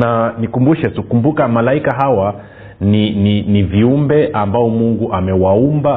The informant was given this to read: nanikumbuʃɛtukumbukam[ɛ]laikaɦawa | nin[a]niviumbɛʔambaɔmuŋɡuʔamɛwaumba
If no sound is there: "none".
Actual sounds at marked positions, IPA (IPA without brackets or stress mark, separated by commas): a, i